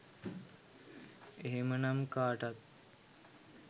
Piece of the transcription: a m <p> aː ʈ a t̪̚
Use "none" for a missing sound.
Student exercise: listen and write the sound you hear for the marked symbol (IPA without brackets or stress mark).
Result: k